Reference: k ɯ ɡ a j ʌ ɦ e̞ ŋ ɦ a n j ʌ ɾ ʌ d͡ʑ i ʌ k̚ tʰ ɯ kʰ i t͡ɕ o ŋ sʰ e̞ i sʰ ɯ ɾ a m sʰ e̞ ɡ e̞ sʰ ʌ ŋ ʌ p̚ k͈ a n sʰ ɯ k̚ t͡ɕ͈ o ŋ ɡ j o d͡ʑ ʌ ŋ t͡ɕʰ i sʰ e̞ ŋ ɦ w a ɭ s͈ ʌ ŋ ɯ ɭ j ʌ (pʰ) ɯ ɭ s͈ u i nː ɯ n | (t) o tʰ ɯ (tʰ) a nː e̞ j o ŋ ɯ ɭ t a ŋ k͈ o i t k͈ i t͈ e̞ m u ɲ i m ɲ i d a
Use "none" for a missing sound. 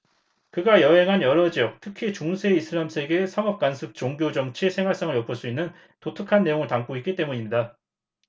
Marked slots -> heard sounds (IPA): pʰ, t, kʰ

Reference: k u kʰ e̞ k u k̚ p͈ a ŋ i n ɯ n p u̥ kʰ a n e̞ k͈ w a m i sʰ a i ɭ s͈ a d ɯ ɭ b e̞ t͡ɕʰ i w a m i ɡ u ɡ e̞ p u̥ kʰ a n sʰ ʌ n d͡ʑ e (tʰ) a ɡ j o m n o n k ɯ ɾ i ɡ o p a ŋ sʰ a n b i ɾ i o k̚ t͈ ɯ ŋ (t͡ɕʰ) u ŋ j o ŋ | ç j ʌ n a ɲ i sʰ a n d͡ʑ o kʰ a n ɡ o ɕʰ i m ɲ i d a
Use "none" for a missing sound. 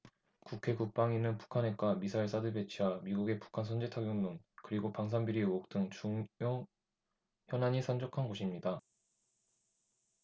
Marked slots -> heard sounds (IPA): tʰ, t͡ɕ

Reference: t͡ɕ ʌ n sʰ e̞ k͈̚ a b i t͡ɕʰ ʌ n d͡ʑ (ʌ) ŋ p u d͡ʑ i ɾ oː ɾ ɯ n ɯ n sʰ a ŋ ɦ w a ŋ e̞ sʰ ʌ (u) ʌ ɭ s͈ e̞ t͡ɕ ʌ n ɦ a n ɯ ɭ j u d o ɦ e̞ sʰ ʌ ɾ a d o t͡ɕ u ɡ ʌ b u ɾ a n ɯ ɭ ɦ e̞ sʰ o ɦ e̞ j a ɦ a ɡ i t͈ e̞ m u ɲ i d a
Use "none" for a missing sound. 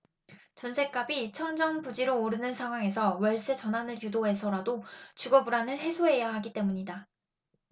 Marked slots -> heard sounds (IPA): ʌ, w

